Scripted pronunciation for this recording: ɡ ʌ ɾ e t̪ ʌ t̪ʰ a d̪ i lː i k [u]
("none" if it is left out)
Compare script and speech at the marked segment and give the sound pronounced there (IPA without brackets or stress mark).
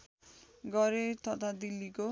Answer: o